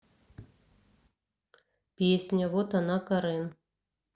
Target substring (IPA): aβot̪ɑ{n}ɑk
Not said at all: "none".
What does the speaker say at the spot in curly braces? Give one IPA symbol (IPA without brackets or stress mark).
n